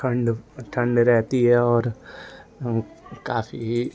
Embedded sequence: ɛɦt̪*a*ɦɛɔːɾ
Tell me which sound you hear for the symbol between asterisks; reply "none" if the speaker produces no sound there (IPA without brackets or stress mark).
i